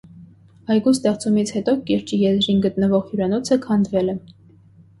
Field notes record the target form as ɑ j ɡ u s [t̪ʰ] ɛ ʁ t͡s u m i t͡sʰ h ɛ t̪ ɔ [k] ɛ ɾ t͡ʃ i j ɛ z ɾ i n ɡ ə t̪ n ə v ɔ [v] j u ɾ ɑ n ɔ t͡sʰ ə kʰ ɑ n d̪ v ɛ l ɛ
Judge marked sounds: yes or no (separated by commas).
no, yes, no